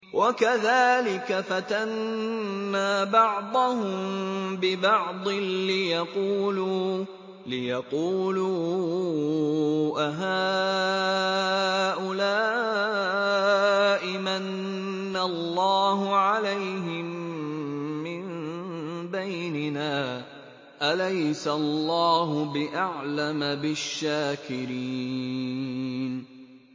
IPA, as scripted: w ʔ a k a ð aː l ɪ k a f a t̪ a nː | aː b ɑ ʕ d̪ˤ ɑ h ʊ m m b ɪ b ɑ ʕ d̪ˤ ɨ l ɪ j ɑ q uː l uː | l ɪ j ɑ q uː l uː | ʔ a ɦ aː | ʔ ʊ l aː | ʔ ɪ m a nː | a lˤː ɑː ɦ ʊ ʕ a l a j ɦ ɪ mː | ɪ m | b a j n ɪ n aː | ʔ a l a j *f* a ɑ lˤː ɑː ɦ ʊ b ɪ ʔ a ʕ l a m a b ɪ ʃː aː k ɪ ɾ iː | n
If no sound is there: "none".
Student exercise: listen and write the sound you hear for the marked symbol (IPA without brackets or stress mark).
s